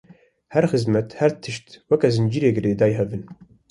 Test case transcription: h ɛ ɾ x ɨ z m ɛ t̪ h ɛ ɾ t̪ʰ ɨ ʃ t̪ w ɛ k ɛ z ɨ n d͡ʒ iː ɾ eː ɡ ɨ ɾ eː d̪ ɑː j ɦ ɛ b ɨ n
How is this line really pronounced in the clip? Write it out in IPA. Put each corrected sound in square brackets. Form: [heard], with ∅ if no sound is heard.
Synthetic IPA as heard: h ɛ ɾ x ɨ z m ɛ t̪ h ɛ ɾ t̪ʰ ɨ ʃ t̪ w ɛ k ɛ z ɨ n d͡ʒ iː ɾ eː ɡ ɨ ɾ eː d̪ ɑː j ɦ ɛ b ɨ n